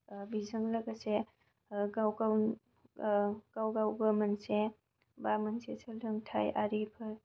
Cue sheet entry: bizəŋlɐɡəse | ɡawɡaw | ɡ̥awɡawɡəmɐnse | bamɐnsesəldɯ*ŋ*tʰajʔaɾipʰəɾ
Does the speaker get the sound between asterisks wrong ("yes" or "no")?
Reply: no